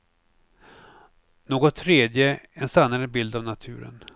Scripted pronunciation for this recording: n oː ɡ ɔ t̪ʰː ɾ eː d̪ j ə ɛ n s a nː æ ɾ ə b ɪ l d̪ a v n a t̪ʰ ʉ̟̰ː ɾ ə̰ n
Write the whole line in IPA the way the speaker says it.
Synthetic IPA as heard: n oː ɡ ɔ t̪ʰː ɾ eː d̪ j ə ɛ n s a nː a ɾ ə b ɪ l d̪ a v n a t̪ʰ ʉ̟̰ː ɾ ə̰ n